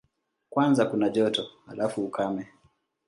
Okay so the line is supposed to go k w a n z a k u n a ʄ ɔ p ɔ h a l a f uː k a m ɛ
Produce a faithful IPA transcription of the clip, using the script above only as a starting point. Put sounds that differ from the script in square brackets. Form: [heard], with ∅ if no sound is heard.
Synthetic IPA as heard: k w a n z a k u n a ʄ ɔ [t] ɔ h a l a f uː k a m ɛ